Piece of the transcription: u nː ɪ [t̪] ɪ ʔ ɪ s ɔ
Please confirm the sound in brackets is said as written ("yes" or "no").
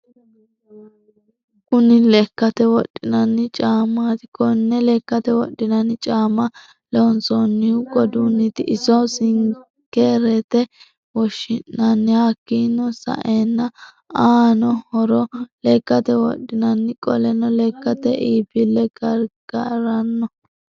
yes